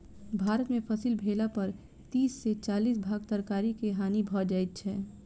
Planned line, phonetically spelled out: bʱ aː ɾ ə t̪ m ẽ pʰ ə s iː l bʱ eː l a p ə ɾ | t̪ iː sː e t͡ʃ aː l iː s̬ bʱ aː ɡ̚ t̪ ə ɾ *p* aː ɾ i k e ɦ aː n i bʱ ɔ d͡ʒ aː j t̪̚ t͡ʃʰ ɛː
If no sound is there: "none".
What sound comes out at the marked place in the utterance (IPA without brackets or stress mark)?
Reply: k